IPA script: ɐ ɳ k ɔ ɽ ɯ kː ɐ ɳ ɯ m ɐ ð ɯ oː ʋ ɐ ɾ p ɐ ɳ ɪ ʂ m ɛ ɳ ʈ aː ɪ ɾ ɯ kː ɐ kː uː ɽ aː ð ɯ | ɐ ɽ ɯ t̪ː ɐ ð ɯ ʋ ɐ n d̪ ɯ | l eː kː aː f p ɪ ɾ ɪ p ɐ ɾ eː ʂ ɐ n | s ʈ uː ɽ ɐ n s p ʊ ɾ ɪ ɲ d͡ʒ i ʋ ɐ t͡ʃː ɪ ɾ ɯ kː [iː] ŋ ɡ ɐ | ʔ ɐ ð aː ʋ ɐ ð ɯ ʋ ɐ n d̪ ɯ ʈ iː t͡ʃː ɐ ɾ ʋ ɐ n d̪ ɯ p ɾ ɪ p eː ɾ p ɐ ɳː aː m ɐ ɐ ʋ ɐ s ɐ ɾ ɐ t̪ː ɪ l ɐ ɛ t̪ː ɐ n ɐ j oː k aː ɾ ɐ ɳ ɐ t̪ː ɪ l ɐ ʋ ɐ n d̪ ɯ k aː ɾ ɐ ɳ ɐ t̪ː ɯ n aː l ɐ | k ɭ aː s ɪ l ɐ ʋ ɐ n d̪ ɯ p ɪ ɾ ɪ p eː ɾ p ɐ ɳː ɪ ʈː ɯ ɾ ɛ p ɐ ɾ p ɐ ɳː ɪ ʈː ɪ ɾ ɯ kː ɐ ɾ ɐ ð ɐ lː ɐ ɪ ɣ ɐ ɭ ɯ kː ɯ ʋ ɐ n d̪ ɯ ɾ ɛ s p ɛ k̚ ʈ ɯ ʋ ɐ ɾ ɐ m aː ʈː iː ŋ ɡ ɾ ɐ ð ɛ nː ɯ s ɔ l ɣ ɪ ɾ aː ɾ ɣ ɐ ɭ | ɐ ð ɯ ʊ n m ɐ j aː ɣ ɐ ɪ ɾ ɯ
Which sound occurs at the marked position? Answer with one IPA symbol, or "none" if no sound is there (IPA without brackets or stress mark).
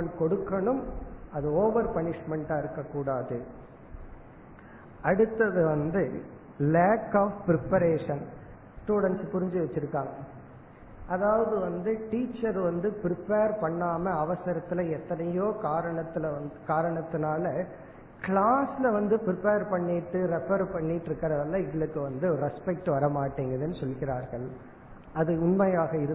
aː